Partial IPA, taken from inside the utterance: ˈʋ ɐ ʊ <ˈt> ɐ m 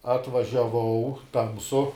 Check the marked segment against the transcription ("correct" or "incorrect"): correct